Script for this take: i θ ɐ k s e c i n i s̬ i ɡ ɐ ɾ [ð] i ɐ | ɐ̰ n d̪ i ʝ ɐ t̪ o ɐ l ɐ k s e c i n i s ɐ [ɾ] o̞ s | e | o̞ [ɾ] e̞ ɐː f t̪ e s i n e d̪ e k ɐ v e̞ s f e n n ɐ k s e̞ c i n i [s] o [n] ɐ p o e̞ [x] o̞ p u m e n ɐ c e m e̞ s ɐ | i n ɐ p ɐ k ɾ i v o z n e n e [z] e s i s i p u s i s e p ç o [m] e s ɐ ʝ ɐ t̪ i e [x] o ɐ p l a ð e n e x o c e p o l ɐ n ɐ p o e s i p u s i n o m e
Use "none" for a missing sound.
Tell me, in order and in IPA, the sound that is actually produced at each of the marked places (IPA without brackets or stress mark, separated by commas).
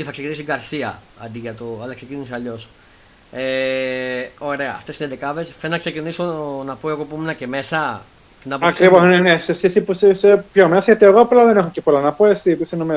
θ, ʎ, ɾ, s, n, ɣ, s, m, ɣ